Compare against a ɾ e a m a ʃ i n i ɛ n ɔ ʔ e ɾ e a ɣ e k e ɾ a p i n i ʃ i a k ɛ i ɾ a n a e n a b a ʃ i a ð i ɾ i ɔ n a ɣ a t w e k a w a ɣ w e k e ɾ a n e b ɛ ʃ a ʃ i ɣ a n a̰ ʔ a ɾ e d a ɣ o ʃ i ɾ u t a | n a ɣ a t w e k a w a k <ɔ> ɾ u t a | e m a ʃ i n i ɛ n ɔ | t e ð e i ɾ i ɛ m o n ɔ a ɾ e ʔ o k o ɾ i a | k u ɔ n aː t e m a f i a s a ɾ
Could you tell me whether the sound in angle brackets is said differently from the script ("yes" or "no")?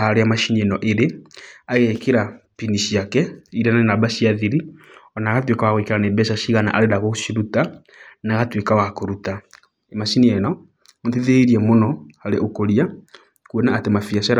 yes